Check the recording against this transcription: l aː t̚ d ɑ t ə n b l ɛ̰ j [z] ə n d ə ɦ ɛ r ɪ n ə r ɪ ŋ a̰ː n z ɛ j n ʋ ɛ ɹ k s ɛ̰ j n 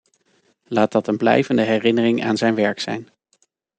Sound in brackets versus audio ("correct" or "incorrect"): incorrect